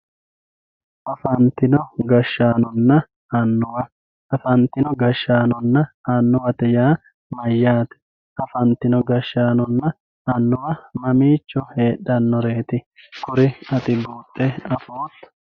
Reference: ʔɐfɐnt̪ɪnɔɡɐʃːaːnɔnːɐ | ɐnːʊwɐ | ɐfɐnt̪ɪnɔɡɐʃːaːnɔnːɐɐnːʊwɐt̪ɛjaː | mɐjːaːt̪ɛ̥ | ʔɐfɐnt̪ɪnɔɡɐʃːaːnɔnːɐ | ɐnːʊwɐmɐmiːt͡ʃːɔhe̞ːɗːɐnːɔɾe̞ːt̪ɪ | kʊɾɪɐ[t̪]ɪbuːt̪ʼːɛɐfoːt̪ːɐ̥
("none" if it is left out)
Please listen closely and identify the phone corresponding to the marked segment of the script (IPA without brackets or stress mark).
t̪